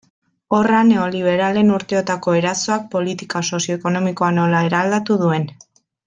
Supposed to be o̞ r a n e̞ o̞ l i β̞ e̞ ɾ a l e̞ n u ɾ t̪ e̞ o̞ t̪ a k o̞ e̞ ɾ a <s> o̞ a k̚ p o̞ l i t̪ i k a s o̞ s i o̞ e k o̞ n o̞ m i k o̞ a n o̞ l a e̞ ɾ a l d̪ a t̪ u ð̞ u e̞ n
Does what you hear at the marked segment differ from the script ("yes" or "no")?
no